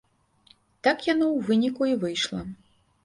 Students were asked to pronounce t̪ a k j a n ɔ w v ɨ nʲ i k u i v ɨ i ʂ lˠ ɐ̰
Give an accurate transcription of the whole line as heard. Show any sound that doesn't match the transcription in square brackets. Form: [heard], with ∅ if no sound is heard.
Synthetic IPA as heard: t̪ a k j a n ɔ w v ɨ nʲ i k u i v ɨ [j] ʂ lˠ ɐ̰